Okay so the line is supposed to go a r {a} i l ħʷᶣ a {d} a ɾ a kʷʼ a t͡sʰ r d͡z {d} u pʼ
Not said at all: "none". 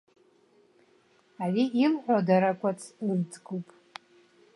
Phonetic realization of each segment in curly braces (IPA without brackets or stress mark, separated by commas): i, d, ɡ